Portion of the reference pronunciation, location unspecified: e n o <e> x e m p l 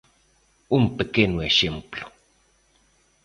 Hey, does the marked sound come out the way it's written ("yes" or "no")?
yes